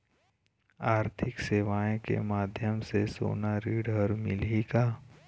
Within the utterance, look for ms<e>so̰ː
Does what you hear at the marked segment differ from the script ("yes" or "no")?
no